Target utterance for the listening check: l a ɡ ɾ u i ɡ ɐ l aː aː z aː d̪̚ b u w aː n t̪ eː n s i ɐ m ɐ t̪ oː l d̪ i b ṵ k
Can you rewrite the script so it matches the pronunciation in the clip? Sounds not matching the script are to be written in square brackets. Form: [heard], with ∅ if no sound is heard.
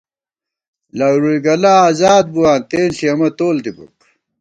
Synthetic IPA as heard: l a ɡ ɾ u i ɡ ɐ l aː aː z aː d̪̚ b u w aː n t̪ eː n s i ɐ m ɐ t̪ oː l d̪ i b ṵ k